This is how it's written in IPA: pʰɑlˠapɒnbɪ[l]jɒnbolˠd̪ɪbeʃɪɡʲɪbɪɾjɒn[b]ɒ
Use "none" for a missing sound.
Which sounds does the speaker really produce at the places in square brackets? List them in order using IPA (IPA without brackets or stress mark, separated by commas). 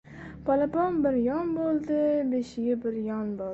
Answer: ɾ, b